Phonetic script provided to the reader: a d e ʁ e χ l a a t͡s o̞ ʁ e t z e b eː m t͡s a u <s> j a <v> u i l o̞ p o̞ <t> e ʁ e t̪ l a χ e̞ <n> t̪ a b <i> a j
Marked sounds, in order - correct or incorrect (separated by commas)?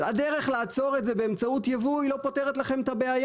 incorrect, correct, correct, incorrect, incorrect